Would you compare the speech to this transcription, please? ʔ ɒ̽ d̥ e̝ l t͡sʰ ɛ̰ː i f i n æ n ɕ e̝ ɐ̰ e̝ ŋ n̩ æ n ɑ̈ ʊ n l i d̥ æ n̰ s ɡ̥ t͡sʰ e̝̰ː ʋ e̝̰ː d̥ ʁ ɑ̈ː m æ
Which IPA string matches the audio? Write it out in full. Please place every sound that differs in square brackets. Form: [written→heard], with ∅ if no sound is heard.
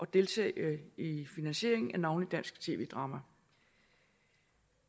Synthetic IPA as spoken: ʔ ɒ̽ d̥ e̝ l t͡sʰ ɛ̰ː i f i n æ n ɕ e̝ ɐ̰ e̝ ŋ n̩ æ n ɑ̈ ʊ n l i d̥ æ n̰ s ɡ̥ t͡sʰ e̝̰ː ʋ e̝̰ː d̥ ʁ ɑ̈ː m æ